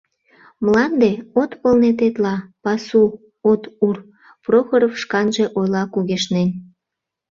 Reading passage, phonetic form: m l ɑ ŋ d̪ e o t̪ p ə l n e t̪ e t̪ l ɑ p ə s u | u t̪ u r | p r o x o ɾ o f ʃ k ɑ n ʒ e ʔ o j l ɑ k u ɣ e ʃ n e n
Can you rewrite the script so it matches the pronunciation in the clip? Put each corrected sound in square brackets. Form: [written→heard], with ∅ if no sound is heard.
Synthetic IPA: m l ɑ [ŋ→n] d̪ e o t̪ p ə l n e t̪ e t̪ l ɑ p [ə→ɑ] s u | [u→o] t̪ u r | p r o x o ɾ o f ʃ k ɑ n ʒ e ʔ o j l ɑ k u ɣ e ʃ n e n